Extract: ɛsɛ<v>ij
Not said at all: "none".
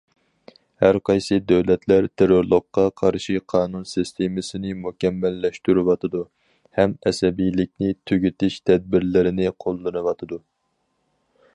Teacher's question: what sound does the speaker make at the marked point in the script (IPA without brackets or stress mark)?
b